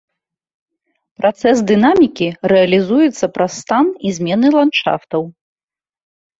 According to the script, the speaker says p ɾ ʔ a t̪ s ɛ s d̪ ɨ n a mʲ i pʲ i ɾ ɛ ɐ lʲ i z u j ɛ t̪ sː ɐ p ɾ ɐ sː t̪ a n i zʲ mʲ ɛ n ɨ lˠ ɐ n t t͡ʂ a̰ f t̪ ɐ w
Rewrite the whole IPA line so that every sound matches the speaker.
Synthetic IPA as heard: p ɾ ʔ a t̪ s ɛ s d̪ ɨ n a mʲ i kʲ i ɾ ɛ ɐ lʲ i z u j ɛ t̪ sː ɐ p ɾ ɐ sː t̪ a n i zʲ mʲ ɛ n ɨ lˠ a n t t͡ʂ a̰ f t̪ ɐ w